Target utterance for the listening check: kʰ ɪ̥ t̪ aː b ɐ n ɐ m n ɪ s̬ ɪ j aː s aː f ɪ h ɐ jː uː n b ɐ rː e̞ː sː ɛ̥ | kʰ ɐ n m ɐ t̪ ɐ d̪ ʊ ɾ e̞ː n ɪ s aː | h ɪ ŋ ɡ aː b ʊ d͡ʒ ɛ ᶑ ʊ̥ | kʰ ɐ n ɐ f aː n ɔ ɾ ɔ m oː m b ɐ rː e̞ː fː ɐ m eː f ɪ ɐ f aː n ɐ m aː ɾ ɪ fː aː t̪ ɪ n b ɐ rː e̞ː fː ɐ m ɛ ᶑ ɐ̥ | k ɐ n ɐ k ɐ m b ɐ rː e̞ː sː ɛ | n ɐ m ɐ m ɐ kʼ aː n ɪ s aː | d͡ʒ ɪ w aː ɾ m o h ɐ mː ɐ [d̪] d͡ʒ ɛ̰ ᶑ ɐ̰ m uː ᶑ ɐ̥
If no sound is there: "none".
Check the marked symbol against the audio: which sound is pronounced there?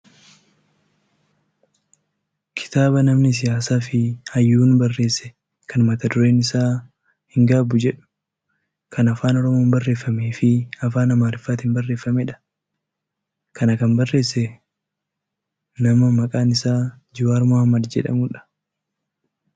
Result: d̪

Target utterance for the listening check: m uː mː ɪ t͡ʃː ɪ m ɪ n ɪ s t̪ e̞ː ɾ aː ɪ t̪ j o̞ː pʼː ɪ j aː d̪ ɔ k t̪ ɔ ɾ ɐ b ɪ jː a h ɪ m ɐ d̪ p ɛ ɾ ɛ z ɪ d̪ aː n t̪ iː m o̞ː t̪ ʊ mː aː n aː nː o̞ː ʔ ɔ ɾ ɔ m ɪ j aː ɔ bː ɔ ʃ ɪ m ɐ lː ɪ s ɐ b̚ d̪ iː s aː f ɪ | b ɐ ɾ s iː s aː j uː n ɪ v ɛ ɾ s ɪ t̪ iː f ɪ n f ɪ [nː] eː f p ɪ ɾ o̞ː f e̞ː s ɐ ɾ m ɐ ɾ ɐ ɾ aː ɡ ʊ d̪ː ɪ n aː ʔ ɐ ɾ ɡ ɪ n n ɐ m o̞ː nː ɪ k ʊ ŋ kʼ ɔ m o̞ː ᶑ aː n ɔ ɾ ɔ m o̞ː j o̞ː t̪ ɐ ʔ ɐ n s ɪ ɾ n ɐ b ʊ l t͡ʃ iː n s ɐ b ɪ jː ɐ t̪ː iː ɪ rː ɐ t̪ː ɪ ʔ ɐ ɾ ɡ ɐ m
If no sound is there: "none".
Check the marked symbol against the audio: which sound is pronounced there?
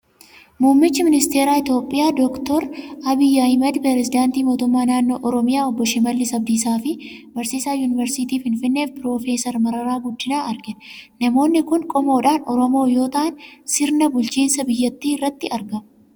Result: nː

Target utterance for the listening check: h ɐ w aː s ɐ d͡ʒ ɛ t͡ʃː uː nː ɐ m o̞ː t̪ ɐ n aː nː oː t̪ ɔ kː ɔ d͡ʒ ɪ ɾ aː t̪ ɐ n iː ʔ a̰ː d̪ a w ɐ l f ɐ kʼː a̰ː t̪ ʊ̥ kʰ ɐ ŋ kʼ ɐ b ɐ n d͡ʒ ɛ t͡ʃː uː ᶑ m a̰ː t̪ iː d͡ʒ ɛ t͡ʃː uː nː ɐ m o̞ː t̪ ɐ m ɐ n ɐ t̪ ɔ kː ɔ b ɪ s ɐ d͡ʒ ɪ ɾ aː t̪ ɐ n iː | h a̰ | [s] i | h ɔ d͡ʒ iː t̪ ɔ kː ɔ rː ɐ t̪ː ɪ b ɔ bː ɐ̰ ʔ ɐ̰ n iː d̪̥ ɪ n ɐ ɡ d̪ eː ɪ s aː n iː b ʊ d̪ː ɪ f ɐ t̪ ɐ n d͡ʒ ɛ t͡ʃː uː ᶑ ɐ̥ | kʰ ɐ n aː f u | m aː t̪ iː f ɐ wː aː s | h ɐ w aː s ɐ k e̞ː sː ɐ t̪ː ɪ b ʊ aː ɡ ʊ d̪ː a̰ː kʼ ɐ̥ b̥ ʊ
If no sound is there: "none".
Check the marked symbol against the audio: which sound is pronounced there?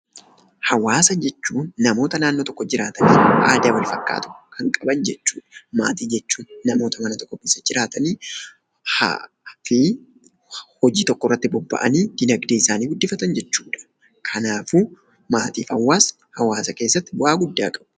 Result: f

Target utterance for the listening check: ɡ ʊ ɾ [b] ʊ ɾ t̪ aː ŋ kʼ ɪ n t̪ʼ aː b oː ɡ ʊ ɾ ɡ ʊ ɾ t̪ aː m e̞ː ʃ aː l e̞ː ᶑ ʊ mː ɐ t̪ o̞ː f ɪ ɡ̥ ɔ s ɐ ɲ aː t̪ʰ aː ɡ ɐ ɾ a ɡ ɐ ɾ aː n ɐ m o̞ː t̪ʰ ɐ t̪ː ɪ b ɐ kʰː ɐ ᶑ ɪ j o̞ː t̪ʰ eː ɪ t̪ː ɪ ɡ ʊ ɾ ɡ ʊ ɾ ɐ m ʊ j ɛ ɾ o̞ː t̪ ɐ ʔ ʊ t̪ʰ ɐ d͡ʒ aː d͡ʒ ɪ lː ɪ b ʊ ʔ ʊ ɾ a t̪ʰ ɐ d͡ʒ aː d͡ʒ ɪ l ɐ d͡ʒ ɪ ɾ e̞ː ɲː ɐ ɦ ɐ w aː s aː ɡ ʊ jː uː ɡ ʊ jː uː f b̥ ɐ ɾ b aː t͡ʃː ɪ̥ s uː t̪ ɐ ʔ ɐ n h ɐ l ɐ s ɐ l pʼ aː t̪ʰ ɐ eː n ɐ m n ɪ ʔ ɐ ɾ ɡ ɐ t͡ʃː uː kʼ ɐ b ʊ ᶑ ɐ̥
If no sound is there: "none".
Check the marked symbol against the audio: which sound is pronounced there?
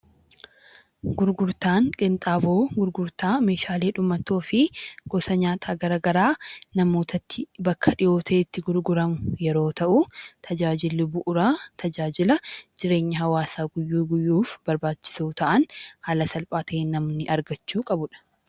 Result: ɡ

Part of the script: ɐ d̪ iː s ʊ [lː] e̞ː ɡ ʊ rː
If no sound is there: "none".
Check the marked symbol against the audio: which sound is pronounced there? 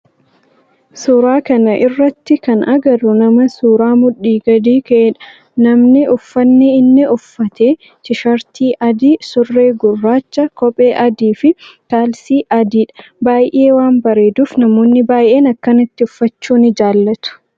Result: rː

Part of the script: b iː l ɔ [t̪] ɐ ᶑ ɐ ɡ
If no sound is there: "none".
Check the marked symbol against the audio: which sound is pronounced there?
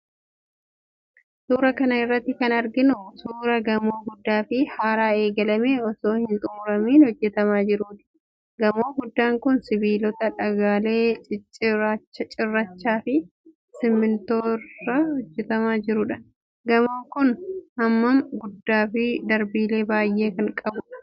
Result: t̪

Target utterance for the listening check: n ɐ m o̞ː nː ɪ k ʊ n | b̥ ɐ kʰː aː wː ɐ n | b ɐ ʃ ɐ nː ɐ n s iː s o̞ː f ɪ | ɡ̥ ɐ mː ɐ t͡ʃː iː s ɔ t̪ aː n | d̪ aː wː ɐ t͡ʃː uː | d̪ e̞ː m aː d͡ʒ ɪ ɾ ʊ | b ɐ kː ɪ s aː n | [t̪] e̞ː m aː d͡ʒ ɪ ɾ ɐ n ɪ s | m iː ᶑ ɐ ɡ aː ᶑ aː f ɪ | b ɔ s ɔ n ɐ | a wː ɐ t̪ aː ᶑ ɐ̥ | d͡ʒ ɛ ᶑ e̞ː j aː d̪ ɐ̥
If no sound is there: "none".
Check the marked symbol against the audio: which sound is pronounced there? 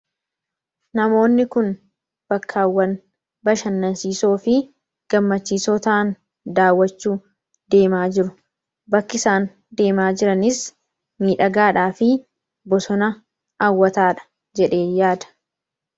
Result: d̪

